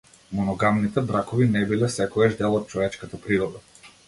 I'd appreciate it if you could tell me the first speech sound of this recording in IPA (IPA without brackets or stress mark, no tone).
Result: m